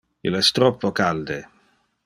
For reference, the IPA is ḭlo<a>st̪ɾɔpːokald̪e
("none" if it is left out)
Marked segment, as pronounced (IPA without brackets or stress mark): ɛ